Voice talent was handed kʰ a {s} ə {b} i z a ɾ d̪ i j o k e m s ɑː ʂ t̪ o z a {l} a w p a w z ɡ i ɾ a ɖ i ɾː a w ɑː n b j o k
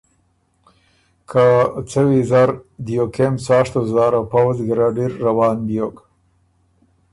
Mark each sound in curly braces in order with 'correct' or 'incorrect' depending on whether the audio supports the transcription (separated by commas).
incorrect, incorrect, incorrect